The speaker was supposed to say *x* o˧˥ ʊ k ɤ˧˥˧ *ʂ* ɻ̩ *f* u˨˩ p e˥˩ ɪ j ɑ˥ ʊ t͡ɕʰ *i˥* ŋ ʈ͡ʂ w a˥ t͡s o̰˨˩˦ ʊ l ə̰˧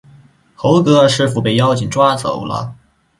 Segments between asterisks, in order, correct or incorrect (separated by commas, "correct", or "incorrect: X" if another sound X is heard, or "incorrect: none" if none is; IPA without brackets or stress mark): correct, correct, correct, incorrect: i˨˩